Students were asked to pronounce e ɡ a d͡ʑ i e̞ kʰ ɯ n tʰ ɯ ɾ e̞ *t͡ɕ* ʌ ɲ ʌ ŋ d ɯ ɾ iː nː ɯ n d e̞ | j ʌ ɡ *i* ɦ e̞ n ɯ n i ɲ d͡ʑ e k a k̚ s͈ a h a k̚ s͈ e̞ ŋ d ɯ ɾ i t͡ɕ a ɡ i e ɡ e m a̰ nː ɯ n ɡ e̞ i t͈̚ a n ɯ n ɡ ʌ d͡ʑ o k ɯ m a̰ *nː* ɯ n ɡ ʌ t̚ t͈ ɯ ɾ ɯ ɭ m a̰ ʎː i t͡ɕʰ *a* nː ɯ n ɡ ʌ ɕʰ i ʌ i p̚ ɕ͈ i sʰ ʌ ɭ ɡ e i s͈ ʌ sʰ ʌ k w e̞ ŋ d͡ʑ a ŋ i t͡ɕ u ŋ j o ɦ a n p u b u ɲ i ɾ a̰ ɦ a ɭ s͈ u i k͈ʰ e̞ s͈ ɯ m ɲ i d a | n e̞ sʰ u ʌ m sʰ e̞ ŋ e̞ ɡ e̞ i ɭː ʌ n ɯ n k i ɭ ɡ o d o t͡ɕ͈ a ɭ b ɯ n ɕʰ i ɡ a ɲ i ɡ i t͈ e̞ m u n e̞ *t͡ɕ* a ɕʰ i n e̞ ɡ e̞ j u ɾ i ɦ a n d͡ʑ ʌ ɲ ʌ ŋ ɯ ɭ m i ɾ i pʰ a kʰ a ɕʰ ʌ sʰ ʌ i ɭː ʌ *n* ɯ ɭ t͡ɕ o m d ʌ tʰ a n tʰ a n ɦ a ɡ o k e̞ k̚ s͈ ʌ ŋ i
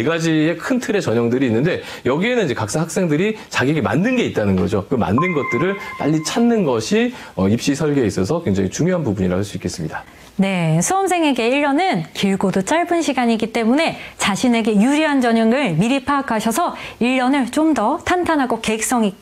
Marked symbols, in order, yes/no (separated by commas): yes, yes, yes, yes, yes, yes